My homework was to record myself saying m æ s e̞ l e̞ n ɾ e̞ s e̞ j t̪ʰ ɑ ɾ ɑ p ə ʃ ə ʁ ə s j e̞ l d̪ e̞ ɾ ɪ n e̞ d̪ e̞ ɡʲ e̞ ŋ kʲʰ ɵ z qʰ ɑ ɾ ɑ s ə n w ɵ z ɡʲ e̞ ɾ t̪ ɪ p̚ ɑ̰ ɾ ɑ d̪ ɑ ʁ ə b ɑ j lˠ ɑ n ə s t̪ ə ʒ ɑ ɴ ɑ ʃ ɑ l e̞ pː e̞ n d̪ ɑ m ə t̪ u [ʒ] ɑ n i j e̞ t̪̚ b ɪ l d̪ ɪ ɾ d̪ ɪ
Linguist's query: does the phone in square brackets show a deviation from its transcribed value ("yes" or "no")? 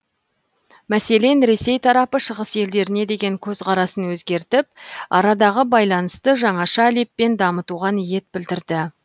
yes